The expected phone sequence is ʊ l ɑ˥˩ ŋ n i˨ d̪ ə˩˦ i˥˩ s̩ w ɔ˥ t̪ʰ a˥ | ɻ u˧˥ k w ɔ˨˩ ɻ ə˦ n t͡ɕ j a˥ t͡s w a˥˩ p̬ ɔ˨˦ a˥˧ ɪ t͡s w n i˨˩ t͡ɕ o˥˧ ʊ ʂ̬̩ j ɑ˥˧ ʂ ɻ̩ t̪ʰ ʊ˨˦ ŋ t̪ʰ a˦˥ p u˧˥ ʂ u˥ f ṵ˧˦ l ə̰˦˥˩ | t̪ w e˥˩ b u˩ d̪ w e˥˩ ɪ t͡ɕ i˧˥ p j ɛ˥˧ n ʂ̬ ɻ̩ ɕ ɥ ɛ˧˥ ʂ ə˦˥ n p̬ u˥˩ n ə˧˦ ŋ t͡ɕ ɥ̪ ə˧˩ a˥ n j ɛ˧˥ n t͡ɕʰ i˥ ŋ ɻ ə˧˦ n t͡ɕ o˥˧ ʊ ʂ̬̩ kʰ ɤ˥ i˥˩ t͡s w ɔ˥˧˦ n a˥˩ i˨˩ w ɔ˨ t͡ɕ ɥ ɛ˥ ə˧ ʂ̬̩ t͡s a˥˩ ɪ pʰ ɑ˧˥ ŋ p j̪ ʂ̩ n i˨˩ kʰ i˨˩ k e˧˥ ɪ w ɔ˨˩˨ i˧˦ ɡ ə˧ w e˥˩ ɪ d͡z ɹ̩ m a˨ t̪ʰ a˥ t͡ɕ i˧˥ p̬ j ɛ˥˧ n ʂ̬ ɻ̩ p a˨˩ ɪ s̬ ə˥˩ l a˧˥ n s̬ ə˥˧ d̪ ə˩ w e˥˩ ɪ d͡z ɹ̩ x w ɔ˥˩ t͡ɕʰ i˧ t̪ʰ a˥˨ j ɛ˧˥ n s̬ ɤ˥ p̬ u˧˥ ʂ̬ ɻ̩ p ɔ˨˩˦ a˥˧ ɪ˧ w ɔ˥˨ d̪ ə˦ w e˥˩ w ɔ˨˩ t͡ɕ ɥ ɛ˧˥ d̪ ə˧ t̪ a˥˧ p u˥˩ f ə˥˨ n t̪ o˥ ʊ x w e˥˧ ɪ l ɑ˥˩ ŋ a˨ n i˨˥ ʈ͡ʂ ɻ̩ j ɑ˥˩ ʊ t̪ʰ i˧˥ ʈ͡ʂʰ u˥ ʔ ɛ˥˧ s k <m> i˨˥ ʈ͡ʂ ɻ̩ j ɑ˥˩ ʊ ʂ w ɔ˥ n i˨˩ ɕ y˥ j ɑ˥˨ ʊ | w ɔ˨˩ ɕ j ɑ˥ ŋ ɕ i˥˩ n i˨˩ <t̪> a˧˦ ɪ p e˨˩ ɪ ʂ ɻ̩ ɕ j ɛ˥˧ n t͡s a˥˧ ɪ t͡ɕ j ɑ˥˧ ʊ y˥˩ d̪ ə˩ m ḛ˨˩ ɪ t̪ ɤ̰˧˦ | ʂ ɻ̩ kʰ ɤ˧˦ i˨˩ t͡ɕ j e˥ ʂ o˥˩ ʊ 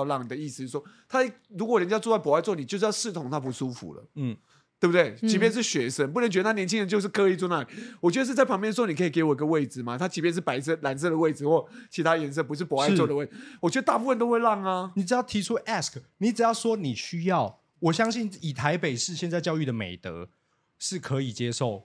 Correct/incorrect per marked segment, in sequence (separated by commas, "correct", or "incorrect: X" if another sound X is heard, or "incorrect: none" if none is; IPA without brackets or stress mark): incorrect: n, incorrect: t̪ʰ